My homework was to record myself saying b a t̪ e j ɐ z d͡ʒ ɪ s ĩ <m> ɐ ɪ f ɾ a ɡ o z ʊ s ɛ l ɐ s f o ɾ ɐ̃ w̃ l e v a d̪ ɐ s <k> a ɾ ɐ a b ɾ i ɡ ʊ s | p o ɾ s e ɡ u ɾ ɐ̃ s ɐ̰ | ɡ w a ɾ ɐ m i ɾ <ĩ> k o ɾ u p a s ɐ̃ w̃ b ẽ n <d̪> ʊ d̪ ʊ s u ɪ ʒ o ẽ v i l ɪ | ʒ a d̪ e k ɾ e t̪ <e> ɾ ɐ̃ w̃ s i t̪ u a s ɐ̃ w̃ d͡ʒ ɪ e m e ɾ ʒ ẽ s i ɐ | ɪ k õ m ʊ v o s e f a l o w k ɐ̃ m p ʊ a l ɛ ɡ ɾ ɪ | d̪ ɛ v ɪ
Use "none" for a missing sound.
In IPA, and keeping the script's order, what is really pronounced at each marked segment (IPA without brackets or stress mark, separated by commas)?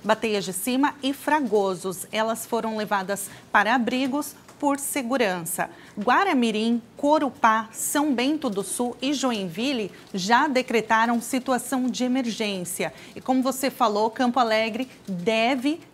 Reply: m, p, ĩ, t̪, a